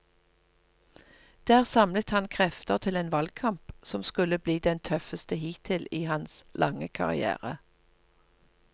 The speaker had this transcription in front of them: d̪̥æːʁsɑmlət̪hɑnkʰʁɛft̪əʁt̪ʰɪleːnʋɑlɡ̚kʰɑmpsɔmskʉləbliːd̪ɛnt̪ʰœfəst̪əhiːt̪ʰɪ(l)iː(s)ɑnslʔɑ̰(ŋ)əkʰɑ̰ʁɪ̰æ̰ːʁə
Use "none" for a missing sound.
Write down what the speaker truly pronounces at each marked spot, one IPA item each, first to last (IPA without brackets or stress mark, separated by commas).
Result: l, h, ŋ